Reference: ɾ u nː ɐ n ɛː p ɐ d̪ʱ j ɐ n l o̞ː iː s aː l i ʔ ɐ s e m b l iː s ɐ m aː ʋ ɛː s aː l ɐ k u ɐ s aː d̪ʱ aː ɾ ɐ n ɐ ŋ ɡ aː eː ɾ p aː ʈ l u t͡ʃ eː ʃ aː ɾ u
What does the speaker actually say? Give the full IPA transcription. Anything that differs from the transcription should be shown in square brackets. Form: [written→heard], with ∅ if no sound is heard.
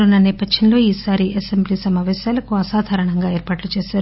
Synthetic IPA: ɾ u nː ɐ n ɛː p ɐ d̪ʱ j ɐ n l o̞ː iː s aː [l→ɾ] i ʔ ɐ s e m b l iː s ɐ m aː ʋ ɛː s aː l ɐ k u ɐ s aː d̪ʱ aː ɾ ɐ [n→ɳ] ɐ ŋ ɡ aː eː ɾ p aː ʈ l u t͡ʃ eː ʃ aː ɾ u